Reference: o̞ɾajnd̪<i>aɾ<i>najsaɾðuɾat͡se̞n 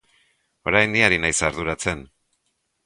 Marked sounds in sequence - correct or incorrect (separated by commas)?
correct, correct